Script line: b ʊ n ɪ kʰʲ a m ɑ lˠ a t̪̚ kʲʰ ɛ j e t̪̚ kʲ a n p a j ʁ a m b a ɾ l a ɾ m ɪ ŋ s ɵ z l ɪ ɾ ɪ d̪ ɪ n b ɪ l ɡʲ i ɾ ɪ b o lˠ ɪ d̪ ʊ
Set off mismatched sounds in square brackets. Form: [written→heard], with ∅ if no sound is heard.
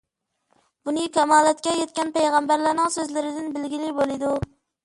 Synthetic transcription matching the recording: b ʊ n ɪ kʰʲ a m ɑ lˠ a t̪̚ [kʲʰ→kʲ] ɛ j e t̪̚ kʲ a n p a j ʁ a m b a ɾ l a ɾ [m→n] ɪ ŋ s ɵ z l ɪ ɾ ɪ d̪ ɪ n b ɪ l ɡʲ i [ɾ→l] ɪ b o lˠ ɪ d̪ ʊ

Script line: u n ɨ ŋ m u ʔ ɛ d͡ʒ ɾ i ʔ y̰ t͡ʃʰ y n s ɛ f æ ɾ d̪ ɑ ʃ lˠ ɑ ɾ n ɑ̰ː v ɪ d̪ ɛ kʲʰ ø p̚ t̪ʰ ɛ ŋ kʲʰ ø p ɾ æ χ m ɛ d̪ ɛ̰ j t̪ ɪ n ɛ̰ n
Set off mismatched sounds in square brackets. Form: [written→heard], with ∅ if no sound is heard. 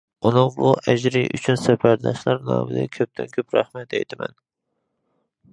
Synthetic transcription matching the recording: u n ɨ ŋ [m→b] u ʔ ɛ d͡ʒ ɾ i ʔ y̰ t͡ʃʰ y n s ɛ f æ ɾ d̪ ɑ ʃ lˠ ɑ ɾ n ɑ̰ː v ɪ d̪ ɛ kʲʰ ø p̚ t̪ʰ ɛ [ŋ→n] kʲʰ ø p ɾ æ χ m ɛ [d̪→t̪] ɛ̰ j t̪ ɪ [n→m] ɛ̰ n

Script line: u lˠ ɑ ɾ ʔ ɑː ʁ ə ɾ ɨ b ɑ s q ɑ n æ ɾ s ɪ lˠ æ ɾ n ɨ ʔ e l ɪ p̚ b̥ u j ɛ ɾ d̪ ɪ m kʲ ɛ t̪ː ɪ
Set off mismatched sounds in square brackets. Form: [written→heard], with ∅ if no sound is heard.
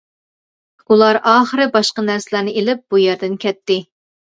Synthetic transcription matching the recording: u lˠ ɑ ɾ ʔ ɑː [ʁ→χ] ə ɾ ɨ b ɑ [s→ʃ] q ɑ n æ ɾ s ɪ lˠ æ ɾ n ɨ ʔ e l ɪ p̚ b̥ u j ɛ ɾ d̪ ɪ [m→n] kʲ ɛ t̪ː ɪ

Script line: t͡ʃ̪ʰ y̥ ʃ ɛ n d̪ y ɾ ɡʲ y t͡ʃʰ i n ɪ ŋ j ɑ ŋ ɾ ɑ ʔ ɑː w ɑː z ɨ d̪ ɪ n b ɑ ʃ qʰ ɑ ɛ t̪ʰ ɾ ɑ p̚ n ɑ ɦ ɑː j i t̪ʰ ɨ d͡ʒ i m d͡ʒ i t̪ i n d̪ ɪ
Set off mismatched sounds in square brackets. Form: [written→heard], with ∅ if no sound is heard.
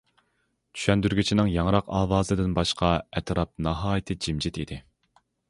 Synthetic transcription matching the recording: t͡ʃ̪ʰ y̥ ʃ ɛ n d̪ y ɾ ɡʲ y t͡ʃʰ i n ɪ ŋ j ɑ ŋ ɾ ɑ [ʔ→q] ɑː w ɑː z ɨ d̪ ɪ n b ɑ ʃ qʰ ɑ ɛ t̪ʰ ɾ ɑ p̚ n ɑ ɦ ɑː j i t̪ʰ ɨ d͡ʒ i m d͡ʒ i t̪ i [n→∅] d̪ ɪ

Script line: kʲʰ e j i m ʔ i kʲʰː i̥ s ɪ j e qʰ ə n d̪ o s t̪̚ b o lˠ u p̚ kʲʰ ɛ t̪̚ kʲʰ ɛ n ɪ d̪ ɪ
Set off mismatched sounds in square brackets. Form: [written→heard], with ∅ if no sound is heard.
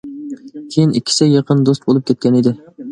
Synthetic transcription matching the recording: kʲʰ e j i [m→n] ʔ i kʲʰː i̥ s ɪ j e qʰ ə n d̪ o s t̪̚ b o lˠ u p̚ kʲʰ ɛ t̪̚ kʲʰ ɛ n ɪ d̪ ɪ

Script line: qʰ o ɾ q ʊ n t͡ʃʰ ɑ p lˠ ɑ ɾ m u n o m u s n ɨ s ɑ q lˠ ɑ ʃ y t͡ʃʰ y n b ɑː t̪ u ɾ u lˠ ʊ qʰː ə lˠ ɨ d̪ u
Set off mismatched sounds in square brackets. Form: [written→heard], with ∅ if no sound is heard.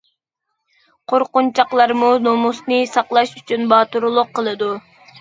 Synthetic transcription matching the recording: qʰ o ɾ q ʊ n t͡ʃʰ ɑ [p→q] lˠ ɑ ɾ m u n o m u s n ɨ s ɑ q lˠ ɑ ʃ y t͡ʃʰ y n b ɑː t̪ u ɾ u lˠ ʊ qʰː ə lˠ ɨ d̪ u

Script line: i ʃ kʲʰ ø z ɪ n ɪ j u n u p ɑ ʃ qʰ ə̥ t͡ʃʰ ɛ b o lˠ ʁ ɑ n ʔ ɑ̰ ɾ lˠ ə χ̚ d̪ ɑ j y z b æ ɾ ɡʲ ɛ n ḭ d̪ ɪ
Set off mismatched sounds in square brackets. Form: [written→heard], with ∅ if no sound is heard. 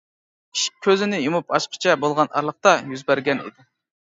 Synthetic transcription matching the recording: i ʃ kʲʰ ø z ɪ n ɪ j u [n→m] u p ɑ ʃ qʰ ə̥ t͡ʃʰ ɛ b o lˠ ʁ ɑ n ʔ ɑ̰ ɾ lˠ ə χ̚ [d̪→t̪] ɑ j y z b æ ɾ ɡʲ ɛ n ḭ d̪ ɪ

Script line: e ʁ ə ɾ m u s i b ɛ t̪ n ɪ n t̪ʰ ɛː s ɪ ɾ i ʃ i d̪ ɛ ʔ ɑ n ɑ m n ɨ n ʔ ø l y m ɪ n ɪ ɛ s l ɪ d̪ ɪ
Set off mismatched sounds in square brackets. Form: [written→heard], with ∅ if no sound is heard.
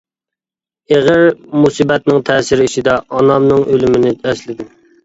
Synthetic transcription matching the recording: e ʁ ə ɾ m u s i b ɛ t̪ n ɪ [n→ŋ] t̪ʰ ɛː s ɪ ɾ i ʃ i d̪ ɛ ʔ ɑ n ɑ m n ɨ [n→ŋ] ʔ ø l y m ɪ n ɪ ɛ s l ɪ d̪ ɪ

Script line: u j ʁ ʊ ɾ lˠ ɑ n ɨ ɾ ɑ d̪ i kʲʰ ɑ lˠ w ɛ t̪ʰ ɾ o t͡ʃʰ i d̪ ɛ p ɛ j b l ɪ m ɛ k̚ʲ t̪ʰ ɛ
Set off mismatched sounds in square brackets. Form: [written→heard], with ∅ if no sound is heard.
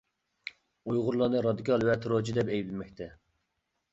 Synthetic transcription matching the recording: u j ʁ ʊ ɾ lˠ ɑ n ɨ ɾ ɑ d̪ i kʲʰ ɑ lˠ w ɛ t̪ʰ ɾ o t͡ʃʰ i d̪ ɛ p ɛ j b l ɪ m ɛ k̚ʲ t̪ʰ ɛ

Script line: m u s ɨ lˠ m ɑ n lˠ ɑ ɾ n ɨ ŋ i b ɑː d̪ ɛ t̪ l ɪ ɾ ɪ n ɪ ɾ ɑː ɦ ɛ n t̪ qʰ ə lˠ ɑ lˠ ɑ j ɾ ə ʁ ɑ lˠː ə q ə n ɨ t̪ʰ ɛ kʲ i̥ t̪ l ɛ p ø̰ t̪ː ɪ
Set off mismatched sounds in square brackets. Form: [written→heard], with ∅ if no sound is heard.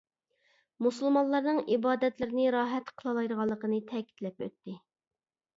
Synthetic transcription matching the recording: m u s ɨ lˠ m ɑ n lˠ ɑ ɾ n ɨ ŋ i b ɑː d̪ ɛ t̪ l ɪ ɾ ɪ n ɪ ɾ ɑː ɦ ɛ [n→∅] t̪ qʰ ə lˠ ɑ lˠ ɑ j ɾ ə ʁ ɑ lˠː ə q ə n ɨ t̪ʰ ɛ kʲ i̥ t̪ l ɛ p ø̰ t̪ː ɪ

